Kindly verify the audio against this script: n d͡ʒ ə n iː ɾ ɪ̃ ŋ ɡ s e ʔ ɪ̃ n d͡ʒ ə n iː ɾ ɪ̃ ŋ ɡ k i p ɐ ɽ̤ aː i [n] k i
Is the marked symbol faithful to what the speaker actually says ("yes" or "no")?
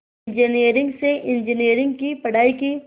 no